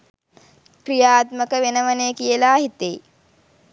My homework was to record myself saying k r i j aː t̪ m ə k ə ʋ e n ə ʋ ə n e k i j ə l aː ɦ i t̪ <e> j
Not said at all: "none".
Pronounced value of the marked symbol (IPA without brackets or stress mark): e